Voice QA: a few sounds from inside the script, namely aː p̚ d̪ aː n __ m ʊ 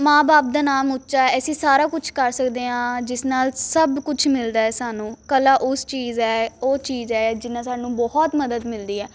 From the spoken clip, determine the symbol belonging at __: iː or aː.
aː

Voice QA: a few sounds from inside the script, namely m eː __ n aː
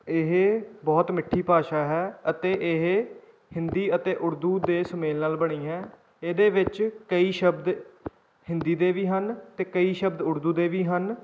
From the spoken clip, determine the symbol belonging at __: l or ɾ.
l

